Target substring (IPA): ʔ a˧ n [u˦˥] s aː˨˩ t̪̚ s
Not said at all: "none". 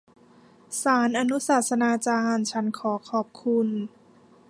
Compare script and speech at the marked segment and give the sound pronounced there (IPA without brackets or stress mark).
u˦˥